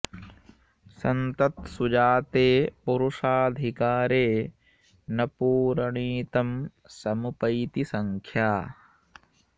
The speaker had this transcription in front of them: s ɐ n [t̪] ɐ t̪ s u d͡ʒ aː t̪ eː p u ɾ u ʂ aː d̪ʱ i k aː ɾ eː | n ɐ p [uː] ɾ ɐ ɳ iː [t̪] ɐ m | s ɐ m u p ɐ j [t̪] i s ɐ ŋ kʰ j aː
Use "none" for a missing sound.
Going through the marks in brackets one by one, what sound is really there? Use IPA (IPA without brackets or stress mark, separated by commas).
t̪, uː, t̪, t̪